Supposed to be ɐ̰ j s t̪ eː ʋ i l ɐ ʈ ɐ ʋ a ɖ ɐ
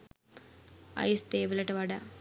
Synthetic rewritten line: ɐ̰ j s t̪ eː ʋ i l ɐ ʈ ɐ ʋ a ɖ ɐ